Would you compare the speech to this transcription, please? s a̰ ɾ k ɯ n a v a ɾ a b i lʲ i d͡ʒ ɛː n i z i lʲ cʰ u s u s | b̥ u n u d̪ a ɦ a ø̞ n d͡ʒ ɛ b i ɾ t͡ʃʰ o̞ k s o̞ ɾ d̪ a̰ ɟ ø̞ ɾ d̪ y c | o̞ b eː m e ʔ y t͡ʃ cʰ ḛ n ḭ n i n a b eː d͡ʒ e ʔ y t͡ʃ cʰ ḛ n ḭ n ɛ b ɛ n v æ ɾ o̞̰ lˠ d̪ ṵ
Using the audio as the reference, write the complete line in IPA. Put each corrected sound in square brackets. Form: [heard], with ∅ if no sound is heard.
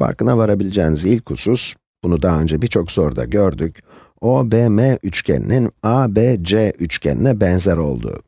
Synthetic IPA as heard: [f] a̰ ɾ k ɯ n a v a ɾ a b i lʲ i d͡ʒ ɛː n i z i lʲ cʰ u s u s | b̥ u n u d̪ a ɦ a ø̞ n d͡ʒ ɛ b i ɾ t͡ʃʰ o̞ k s o̞ ɾ d̪ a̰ ɟ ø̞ ɾ d̪ y c | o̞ b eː m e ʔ y t͡ʃ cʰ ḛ n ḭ n i n a b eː d͡ʒ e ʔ y t͡ʃ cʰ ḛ n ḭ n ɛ b ɛ n [z] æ ɾ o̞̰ lˠ d̪ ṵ

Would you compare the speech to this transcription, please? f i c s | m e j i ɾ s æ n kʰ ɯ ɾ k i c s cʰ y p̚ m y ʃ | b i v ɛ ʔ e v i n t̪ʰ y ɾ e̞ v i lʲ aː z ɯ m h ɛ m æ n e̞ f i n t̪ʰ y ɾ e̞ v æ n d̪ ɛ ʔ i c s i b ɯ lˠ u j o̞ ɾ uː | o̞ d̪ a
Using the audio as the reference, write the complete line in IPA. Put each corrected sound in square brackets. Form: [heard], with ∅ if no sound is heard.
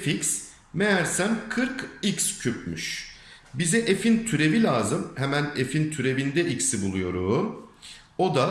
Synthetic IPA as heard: f i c s | m e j [æ] ɾ s æ n kʰ ɯ ɾ k i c s cʰ y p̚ m y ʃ | b i [z] ɛ ʔ e [f] i n t̪ʰ y ɾ e̞ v i lʲ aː z ɯ m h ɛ m æ n e̞ f i n t̪ʰ y ɾ e̞ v [i] n d̪ ɛ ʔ i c s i b [u] lˠ u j o̞ ɾ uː | o̞ d̪ a

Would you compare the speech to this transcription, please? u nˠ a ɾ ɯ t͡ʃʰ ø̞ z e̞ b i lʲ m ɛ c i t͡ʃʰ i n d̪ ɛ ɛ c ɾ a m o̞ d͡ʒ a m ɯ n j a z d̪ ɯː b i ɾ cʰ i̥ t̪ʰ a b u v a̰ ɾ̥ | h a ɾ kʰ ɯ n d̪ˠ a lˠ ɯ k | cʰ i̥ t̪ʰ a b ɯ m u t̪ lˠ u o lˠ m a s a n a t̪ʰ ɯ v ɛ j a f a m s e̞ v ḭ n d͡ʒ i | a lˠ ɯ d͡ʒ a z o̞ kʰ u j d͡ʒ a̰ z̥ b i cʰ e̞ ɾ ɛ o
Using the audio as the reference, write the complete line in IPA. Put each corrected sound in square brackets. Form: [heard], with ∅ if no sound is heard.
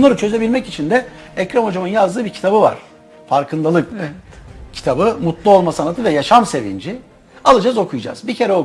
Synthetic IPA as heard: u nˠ a ɾ ɯ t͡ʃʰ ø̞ z e̞ b i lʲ m ɛ c i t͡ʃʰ i n d̪ ɛ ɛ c ɾ a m o̞ d͡ʒ a m ɯ n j a z d̪ ɯː b i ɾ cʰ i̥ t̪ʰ a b [ɯ] v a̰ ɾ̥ | [f] a ɾ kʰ ɯ n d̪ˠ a lˠ ɯ k | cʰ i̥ t̪ʰ a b ɯ m u t̪ lˠ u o lˠ m a s a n a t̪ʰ ɯ v ɛ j a [ʃ] a m s e̞ v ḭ n d͡ʒ i | a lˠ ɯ d͡ʒ a z o̞ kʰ u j d͡ʒ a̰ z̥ b i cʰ e̞ ɾ ɛ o

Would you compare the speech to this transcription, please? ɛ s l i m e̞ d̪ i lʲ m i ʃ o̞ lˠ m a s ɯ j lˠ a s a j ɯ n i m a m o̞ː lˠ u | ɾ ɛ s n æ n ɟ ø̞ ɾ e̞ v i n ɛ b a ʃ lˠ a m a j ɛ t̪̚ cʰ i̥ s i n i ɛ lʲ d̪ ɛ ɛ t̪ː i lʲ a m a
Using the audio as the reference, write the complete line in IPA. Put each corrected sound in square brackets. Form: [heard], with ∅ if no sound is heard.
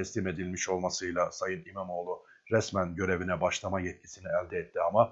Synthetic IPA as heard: ɛ s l i m e̞ d̪ i lʲ m i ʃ o̞ lˠ m a s ɯ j lˠ a s a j ɯ n i m a m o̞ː lˠ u | ɾ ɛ s [m] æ n ɟ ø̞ ɾ e̞ v i n ɛ b a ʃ lˠ a m a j ɛ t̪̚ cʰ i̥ s i n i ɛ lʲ d̪ ɛ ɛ t̪ː i [∅] a m a

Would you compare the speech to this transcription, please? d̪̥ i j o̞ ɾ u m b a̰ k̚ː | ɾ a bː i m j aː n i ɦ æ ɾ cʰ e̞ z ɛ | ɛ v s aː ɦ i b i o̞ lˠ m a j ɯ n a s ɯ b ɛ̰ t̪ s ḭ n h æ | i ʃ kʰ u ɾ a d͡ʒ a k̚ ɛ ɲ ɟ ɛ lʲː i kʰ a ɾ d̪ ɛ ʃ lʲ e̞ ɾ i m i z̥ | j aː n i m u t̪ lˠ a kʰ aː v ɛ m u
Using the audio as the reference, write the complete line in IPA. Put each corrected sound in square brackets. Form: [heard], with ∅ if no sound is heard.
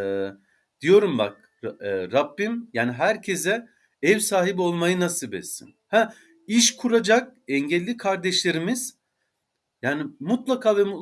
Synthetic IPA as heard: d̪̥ i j o̞ ɾ u m b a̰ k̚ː | ɾ a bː i m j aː n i ɦ æ ɾ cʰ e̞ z ɛ | ɛ v s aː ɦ i b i o̞ lˠ m a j ɯ n a s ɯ b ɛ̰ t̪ s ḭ n h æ | i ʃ kʰ u ɾ a d͡ʒ a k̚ ɛ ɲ ɟ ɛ lʲː i kʰ a ɾ d̪ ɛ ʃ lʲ e̞ ɾ i m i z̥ | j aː n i m u t̪ lˠ a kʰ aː v ɛ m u

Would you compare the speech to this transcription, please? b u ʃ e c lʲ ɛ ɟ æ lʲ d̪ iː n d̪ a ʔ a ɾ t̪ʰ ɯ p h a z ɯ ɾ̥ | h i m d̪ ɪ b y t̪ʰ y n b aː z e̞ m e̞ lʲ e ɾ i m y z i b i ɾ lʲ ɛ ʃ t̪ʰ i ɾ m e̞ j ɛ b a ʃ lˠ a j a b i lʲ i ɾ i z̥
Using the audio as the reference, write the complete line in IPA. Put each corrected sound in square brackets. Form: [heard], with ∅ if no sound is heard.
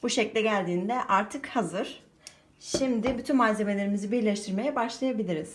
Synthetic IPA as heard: b u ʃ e c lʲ ɛ ɟ æ lʲ d̪ iː n d̪ [ɛ] ʔ a ɾ t̪ʰ ɯ [k] h a z ɯ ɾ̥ | [ʃ] i m d̪ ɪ b y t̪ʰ y n [m] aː z e̞ m e̞ lʲ e ɾ i m [i] z i b i ɾ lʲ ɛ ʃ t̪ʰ i ɾ m e̞ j ɛ b a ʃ lˠ a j a b i lʲ i ɾ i z̥

